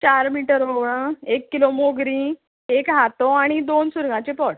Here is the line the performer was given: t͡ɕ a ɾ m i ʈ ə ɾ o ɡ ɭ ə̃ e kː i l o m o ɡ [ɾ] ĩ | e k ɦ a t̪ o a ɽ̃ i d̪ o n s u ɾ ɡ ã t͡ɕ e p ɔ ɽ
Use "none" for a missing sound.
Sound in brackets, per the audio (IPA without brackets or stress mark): ɾ